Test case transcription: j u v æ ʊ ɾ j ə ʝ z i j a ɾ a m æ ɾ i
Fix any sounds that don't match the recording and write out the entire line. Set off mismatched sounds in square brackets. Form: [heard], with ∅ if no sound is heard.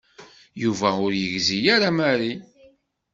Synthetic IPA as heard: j u v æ ʊ ɾ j ə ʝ z i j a ɾ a m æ ɾ i